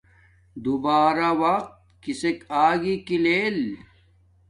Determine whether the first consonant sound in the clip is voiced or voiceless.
voiced